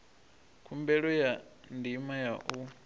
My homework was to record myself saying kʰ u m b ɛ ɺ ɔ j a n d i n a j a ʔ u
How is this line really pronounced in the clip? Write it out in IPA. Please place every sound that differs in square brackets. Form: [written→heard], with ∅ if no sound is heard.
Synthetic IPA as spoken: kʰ u m b ɛ ɺ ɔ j a n d i [n→m] a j a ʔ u